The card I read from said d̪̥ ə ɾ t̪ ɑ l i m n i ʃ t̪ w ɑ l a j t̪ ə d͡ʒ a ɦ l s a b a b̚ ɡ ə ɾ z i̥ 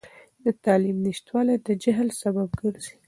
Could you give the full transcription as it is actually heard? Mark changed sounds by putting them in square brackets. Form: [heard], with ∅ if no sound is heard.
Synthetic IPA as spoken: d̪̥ ə [∅] t̪ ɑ l i m n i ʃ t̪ w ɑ l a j [d̪] ə d͡ʒ a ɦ l s a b a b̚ ɡ ə ɾ z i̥